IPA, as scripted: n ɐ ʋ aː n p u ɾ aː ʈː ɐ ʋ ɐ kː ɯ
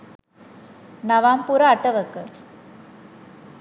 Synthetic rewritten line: n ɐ ʋ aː m p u ɾ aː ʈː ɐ ʋ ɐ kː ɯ

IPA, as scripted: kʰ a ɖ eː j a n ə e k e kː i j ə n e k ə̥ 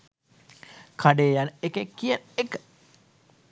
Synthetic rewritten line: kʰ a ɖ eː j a n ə e k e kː i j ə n e k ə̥

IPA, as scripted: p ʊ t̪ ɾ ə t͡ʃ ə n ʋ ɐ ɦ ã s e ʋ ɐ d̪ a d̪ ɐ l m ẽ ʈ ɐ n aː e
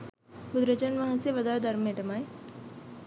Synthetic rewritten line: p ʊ d̪ ɾ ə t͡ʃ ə n ʋ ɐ ɦ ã s e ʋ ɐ d̪ a d̪ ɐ ɾ m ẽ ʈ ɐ m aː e

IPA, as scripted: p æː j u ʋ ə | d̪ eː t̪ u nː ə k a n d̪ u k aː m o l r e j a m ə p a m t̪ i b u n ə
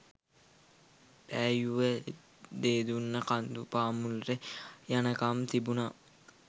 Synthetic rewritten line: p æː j u ʋ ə | d̪ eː d̪ u nː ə k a n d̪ u p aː m u l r e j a n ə k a m t̪ i b u n a

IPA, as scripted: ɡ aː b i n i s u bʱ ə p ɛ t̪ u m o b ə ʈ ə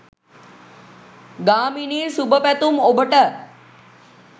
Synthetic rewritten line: ɡ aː m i n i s u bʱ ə p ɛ t̪ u m o b ə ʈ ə

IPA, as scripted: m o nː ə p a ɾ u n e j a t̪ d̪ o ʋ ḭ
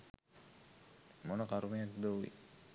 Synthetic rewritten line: m o n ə k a ɾ u m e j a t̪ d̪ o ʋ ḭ

